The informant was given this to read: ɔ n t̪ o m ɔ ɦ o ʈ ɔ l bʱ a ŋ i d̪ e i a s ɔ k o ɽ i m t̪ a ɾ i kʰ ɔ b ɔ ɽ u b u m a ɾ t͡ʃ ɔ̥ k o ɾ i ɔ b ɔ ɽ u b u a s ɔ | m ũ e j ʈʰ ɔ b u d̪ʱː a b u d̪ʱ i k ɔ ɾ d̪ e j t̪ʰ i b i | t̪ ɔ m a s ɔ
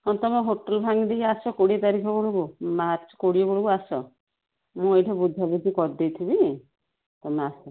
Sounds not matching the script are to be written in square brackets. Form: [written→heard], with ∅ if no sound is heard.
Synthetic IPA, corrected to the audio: ɔ n t̪ [o→ɔ] m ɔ ɦ o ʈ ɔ l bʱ a ŋ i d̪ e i a s ɔ k o ɽ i [m→∅] t̪ a ɾ i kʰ ɔ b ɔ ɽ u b u m a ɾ t͡ʃ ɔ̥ k o [ɾ→ɽ] i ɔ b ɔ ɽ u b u a s ɔ | m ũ e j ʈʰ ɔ b u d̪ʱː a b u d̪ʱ i k ɔ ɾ d̪ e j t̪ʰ i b i | t̪ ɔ m a s ɔ